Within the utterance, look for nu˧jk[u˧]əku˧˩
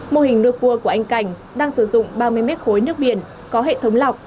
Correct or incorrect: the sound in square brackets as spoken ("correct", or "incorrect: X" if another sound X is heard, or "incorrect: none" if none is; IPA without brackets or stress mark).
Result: correct